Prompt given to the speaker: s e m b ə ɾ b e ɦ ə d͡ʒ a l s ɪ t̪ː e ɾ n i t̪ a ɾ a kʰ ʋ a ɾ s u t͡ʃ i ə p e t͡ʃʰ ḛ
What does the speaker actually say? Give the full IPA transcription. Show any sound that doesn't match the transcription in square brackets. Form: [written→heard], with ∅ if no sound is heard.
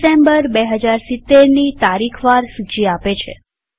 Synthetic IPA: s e m b ə ɾ b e ɦ ə d͡ʒ a [l→ɾ] s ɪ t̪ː e ɾ n i t̪ a ɾ [a→i] kʰ ʋ a ɾ s u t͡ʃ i [ə→a] p e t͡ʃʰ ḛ